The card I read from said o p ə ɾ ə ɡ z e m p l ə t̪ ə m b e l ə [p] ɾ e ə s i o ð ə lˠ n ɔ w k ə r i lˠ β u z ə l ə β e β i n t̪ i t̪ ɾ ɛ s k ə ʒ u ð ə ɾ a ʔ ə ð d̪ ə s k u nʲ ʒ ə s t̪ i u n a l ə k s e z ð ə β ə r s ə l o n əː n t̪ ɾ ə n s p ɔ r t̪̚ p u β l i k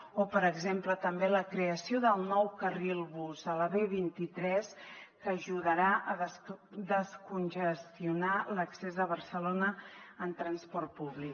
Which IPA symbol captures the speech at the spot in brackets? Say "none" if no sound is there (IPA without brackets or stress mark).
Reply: k